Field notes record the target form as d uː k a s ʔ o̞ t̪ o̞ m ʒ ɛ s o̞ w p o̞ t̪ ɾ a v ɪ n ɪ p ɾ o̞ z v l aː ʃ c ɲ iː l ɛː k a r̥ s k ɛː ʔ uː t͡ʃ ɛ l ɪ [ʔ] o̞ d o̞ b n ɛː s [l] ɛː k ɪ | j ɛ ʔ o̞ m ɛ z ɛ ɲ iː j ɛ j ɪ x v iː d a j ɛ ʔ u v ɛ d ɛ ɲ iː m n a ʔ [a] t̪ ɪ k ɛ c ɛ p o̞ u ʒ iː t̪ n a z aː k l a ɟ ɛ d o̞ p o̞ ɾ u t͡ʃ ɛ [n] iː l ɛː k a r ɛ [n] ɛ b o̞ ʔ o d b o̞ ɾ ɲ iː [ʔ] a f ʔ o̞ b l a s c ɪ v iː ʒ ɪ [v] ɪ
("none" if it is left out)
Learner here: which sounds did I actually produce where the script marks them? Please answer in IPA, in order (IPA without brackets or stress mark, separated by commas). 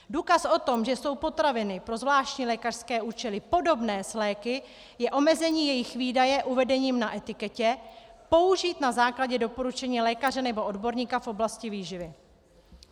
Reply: p, l, ɛ, ɲ, n, k, v